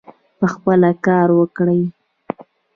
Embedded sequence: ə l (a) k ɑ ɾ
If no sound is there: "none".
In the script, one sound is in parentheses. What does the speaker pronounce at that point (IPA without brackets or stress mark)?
a